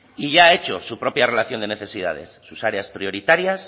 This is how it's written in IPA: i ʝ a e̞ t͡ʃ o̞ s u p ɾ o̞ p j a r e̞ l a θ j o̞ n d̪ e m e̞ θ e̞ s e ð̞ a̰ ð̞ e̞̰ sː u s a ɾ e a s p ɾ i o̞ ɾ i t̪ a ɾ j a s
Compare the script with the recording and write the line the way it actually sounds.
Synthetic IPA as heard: i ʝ a e̞ t͡ʃ o̞ s u p ɾ o̞ p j a r e̞ l a θ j o̞ n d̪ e n e̞ θ e̞ s i ð̞ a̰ ð̞ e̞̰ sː u s a ɾ e a s p ɾ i o̞ ɾ i t̪ a ɾ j a s